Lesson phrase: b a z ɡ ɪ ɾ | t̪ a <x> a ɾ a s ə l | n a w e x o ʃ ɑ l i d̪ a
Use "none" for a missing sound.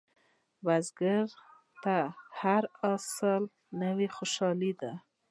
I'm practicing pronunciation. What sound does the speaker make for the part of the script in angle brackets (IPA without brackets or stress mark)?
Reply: h